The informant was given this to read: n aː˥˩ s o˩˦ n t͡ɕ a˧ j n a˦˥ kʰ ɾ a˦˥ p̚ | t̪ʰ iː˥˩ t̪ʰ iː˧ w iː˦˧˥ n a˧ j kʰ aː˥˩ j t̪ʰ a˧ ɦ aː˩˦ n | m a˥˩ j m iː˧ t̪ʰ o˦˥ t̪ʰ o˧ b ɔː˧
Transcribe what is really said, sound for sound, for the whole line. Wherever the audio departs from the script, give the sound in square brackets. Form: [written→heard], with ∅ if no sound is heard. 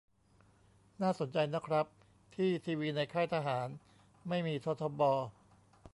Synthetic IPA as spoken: n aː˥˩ s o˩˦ n t͡ɕ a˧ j n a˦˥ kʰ ɾ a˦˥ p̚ | t̪ʰ iː˥˩ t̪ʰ iː˧ w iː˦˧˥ n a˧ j kʰ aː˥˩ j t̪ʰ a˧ ɦ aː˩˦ n | m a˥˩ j m iː˧ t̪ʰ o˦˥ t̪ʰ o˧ b ɔː˧